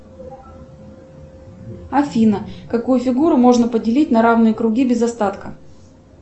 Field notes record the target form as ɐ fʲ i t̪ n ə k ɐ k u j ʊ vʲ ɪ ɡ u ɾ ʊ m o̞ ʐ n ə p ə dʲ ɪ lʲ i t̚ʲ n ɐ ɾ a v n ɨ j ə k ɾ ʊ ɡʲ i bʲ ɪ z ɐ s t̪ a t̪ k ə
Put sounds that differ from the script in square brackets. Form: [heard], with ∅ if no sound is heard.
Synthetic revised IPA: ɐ fʲ i [∅] n ə k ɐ k u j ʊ [fʲ] ɪ ɡ u ɾ ʊ m o̞ ʐ n ə p ə dʲ ɪ lʲ i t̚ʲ n ɐ ɾ a v n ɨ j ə k ɾ ʊ ɡʲ i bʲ ɪ z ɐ s t̪ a t̪ k ə